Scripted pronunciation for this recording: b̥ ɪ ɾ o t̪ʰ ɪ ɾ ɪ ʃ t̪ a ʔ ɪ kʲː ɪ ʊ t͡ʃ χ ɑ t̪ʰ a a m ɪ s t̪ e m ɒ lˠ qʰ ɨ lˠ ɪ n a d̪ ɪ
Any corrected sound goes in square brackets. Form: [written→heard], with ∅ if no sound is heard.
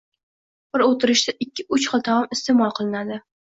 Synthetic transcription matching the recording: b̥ ɪ ɾ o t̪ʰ ɪ ɾ ɪ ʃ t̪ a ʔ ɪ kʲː ɪ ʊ t͡ʃ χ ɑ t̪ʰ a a m ɪ s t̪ e m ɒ lˠ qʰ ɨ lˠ ɪ n a d̪ ɪ